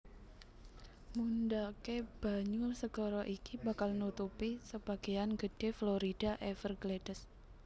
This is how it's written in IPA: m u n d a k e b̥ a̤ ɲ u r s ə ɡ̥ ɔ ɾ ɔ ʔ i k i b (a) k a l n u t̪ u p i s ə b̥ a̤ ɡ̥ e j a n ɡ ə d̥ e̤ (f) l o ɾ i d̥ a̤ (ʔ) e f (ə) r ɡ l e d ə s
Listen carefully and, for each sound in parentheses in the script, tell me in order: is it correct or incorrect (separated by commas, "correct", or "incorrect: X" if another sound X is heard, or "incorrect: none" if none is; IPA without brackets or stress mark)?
correct, correct, correct, correct